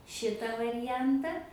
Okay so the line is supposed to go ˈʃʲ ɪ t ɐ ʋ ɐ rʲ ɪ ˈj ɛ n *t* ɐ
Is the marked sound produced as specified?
yes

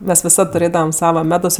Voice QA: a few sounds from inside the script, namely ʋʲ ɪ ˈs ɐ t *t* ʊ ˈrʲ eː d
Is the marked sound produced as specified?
yes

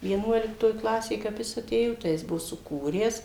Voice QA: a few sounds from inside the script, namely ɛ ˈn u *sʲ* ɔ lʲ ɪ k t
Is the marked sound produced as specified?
no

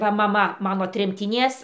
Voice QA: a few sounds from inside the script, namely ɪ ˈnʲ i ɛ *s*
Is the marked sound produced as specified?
yes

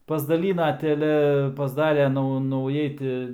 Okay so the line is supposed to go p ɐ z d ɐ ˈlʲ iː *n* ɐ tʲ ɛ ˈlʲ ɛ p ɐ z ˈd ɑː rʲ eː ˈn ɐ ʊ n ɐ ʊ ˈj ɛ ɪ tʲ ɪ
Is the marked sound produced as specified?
yes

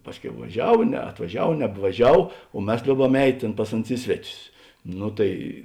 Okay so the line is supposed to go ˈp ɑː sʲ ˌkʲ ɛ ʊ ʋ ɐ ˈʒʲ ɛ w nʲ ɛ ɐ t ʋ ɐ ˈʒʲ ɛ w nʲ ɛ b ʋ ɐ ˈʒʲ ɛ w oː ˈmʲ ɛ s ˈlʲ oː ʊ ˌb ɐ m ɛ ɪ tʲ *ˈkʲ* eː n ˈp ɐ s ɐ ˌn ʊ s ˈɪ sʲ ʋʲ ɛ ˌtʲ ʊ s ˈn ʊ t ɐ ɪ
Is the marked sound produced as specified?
no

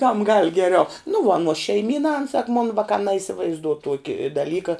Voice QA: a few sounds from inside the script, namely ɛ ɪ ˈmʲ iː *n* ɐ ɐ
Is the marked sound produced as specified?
yes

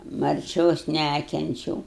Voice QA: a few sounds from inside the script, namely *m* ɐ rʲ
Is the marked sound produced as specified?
yes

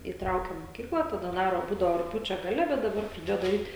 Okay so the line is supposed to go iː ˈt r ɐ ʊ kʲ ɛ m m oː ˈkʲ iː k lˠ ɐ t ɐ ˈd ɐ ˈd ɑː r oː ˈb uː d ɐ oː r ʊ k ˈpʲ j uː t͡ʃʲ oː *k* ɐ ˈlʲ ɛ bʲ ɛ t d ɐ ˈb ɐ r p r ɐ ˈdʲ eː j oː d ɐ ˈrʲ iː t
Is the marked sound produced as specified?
no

